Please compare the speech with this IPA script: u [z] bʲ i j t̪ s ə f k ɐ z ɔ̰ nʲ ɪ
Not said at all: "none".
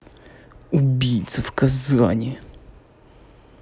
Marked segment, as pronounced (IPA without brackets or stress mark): none